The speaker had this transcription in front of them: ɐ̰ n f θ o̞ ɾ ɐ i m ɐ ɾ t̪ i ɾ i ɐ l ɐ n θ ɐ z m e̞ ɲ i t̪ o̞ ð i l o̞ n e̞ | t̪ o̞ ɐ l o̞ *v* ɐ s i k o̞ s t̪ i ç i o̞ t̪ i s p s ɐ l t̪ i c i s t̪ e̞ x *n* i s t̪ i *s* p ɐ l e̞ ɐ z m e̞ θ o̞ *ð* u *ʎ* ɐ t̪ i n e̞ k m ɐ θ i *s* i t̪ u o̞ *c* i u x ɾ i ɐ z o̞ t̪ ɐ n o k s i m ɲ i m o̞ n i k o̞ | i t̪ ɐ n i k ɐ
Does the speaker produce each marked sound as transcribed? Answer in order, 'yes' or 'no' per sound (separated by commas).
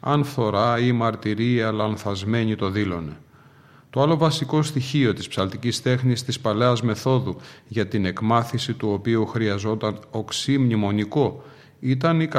yes, yes, yes, yes, no, yes, no